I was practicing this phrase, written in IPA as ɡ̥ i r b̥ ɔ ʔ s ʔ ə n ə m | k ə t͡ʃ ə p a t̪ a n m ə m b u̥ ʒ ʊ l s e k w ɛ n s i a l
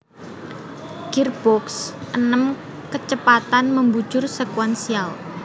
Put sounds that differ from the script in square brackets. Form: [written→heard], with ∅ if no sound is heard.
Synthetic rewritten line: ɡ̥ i r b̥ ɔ [ʔ→k] s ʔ ə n ə m | k ə t͡ʃ ə p a t̪ a n m ə m b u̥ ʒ ʊ [l→r] s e k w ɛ n s i a l